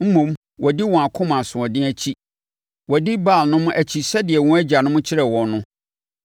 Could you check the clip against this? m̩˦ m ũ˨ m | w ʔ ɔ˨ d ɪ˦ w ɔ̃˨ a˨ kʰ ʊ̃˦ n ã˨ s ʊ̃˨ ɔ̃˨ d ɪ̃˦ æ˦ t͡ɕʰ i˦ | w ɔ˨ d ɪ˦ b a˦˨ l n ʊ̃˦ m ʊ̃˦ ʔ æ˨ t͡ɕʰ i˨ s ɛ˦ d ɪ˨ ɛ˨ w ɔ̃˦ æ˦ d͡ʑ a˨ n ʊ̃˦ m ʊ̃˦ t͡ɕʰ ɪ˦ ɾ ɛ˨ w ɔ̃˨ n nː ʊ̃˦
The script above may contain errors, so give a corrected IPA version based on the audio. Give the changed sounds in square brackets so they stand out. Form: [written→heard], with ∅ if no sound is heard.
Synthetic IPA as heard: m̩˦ m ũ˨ m | w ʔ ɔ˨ d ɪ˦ w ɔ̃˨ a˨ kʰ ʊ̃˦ [n→m] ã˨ s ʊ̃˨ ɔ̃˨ d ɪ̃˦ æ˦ t͡ɕʰ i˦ | w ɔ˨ d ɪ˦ b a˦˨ l n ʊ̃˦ m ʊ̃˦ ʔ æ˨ t͡ɕʰ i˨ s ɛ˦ d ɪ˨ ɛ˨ w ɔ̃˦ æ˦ d͡ʑ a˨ n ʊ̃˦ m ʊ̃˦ t͡ɕʰ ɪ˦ ɾ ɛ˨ w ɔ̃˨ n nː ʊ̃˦